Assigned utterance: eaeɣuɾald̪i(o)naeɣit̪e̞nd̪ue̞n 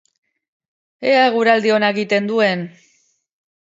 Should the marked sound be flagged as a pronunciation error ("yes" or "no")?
no